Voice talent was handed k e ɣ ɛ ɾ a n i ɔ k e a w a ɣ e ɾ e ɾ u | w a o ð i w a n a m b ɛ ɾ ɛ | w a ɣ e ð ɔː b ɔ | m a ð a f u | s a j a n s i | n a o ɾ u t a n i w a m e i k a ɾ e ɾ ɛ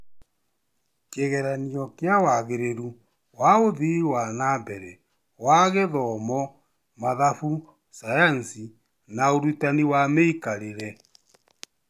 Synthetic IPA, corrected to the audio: k e ɣ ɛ ɾ a n i ɔ k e a w a ɣ e ɾ e ɾ u | w a o ð i w a n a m b ɛ ɾ ɛ | w a ɣ e ð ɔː m ɔ | m a ð a f u | s a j a n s i | n a o ɾ u t a n i w a m e i k a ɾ e ɾ ɛ